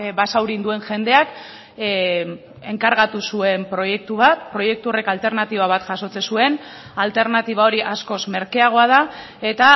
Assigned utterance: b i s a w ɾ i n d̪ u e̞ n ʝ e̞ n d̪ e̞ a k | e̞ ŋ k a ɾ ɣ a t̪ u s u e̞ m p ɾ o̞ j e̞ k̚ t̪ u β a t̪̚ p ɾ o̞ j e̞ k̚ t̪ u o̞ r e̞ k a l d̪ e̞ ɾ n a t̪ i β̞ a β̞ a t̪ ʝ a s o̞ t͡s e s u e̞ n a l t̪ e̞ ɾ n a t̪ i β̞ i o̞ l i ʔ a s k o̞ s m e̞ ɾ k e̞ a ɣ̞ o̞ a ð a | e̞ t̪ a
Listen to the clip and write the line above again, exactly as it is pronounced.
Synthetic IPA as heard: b a s a w ɾ i n d̪ u e̞ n ʝ e̞ n d̪ e̞ a k | e̞ ŋ k a ɾ ɣ a t̪ u s u e̞ m p ɾ o̞ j e̞ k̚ t̪ u β a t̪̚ p ɾ o̞ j e̞ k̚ t̪ u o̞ r e̞ k a l t̪ e̞ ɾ n a t̪ i β̞ a β̞ a t̪ ʝ a s o̞ t͡s e s u e̞ n a l t̪ e̞ ɾ n a t̪ i β̞ a o̞ ɾ i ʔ a s k o̞ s m e̞ ɾ k e̞ a ɣ̞ o̞ a ð a | e̞ t̪ a